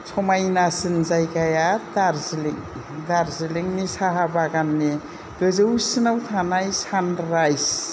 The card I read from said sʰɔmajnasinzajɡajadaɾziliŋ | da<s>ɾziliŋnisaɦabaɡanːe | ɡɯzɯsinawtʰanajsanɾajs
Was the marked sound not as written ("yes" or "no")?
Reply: yes